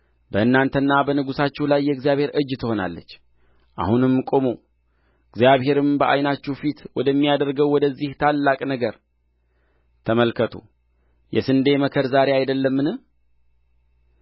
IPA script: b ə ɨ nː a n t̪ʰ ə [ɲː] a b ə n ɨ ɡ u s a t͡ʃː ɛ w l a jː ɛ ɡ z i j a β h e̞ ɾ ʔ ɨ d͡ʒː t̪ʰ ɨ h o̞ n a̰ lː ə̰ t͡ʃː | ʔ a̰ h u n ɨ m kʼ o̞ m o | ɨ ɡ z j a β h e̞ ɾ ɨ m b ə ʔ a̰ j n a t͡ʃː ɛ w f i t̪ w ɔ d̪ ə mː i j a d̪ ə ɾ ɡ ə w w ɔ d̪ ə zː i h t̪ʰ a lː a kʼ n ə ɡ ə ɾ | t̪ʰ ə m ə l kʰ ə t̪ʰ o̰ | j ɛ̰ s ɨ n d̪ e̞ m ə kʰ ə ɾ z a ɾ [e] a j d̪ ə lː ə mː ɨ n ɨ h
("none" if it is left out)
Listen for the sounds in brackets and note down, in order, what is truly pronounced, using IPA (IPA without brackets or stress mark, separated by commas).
nː, e